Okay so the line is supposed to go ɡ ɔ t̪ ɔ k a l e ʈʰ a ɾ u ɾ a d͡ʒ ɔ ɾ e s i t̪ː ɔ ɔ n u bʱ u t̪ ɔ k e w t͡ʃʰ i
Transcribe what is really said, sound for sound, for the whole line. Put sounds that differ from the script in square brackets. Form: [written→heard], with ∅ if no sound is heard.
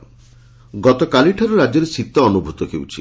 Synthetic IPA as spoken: ɡ ɔ t̪ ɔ k a l [e→i] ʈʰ a ɾ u ɾ a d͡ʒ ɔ ɾ e s i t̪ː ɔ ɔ n u bʱ u t̪ ɔ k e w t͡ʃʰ i